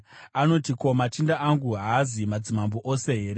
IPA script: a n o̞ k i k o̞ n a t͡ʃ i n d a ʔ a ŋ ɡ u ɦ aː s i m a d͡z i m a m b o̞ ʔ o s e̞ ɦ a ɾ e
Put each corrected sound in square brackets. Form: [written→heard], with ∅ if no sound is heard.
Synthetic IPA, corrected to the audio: a n o̞ [k→t] i k o̞ [n→m] a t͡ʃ i n d a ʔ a ŋ ɡ u ɦ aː [s→z] i m a d͡z i m a m b o̞ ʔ o s e̞ ɦ [a→e] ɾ e